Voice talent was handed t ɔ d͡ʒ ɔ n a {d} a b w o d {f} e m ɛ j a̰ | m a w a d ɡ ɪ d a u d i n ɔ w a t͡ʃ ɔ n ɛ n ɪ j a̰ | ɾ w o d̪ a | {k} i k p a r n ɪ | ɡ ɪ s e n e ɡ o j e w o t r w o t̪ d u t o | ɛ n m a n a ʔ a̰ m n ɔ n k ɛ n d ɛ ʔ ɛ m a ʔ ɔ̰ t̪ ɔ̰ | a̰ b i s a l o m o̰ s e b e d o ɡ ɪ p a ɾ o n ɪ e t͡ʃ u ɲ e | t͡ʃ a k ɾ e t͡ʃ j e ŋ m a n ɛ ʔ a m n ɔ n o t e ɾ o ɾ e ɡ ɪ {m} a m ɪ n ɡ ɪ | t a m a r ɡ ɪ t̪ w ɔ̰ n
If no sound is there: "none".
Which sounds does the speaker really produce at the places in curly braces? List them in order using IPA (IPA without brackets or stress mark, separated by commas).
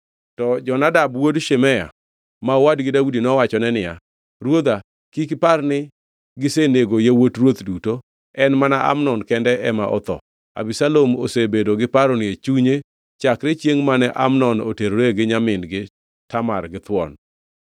d, ʃ, k, ɲ